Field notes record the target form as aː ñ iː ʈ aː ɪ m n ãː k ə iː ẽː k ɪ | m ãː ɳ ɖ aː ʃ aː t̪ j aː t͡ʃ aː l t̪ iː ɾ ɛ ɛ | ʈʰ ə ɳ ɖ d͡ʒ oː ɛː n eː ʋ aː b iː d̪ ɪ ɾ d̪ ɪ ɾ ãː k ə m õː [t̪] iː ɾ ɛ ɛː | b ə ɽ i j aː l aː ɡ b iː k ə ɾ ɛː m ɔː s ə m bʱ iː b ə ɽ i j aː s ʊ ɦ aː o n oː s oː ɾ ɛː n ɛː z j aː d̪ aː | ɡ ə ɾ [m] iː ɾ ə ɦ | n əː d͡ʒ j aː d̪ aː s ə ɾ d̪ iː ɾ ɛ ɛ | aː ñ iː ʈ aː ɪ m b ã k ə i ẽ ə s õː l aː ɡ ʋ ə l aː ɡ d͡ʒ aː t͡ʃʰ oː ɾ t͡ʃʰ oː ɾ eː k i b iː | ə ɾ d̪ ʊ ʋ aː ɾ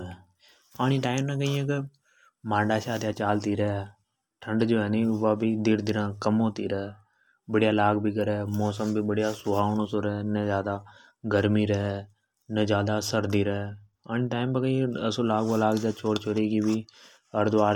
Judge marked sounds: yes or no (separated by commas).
yes, yes